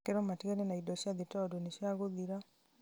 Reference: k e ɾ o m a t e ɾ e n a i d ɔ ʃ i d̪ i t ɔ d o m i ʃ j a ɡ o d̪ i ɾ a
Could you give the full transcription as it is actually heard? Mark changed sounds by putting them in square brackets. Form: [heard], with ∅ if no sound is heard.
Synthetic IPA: k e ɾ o m a t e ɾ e n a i d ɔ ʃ [a] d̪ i t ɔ d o [n] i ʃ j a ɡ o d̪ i ɾ a